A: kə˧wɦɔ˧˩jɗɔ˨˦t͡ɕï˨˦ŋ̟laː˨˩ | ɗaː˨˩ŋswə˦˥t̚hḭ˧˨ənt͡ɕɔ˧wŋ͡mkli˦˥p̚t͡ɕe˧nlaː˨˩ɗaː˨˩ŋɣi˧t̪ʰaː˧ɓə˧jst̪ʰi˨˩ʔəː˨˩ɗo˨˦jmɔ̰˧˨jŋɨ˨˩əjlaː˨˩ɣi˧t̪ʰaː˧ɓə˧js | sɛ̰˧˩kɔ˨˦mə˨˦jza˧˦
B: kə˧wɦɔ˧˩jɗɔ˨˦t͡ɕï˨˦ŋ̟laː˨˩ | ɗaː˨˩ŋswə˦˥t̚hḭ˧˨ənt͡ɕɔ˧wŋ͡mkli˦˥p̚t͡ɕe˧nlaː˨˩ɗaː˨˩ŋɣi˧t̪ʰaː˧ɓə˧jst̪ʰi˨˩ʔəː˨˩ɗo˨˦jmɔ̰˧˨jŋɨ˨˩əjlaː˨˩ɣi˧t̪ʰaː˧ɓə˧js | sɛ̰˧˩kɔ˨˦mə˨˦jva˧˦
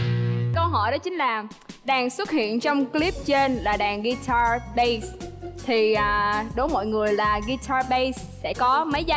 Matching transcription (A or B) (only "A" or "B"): A